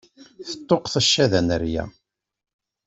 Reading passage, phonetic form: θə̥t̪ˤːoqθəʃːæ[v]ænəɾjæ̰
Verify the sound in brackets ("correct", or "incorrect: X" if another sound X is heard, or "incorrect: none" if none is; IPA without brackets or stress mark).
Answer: incorrect: ð